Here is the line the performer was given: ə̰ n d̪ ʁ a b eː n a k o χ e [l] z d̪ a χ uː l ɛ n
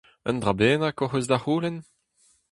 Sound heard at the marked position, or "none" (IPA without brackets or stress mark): none